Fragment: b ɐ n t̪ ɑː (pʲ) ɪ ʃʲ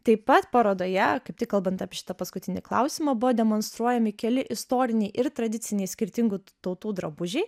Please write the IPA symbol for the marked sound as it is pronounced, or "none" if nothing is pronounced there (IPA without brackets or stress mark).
pʲ